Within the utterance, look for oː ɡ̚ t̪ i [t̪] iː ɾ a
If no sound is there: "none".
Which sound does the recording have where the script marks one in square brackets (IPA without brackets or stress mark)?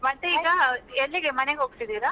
d̪